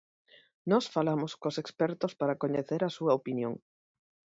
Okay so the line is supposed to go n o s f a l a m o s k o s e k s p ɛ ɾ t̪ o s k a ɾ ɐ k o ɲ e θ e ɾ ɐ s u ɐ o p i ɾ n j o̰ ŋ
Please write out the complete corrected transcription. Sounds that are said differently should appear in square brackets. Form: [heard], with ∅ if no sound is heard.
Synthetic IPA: n [ɔ] s f a l a m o s k o s e k s p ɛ ɾ t̪ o s [p] a ɾ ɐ k o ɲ e θ e ɾ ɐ s u ɐ o p i [∅] n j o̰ ŋ